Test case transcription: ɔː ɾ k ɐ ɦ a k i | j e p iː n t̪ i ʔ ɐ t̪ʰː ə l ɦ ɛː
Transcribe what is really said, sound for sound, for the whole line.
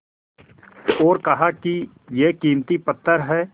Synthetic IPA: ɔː ɾ k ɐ ɦ a k i | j e k iː m t̪ i p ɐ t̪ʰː ə ɾ ɦ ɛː